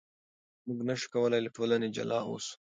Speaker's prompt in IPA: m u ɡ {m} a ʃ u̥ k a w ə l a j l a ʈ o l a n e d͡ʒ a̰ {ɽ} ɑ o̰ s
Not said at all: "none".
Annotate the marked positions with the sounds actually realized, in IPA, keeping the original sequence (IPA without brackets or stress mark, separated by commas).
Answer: n, l